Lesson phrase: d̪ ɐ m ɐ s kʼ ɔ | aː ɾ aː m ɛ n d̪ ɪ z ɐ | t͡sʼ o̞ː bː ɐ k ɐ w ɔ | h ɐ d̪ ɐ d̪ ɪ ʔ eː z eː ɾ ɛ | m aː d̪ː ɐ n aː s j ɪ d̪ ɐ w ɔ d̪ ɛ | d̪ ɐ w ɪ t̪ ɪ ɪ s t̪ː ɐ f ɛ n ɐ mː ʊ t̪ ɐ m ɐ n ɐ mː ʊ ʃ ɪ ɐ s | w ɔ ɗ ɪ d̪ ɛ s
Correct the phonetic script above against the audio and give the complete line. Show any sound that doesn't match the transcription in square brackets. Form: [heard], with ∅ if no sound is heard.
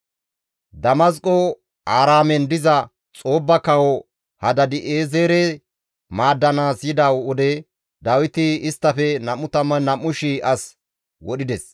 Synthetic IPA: d̪ ɐ m ɐ s kʼ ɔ | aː ɾ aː m ɛ n d̪ ɪ z ɐ | t͡sʼ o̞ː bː ɐ k ɐ w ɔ | h ɐ d̪ ɐ d̪ ɪ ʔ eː z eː ɾ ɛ | m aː d̪ː ɐ n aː s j ɪ d̪ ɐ w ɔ d̪ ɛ | d̪ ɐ w ɪ t̪ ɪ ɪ s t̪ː ɐ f ɛ n ɐ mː ʊ t̪ ɐ m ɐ n ɐ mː ʊ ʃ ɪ ɐ s | w ɔ ɗ ɪ d̪ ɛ s

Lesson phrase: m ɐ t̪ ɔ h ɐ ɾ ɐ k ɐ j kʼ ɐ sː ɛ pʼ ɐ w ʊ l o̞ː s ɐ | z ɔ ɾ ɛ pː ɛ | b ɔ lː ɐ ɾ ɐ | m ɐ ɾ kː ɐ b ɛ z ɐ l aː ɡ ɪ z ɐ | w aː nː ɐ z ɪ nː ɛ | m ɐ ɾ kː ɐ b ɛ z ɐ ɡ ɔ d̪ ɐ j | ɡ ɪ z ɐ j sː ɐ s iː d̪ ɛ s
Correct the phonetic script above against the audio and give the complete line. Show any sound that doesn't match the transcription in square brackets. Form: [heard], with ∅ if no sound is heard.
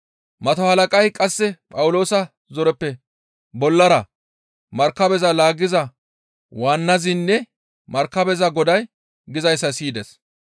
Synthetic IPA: m ɐ t̪ ɔ h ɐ [l] ɐ [kʼ] ɐ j kʼ ɐ sː ɛ pʼ ɐ w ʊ l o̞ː s ɐ | z ɔ ɾ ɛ pː ɛ | b ɔ lː ɐ ɾ ɐ | m ɐ ɾ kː ɐ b ɛ z ɐ l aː ɡ ɪ z ɐ | w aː nː ɐ z ɪ nː ɛ | m ɐ ɾ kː ɐ b ɛ z ɐ ɡ ɔ d̪ ɐ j | ɡ ɪ z ɐ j sː ɐ s iː d̪ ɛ s

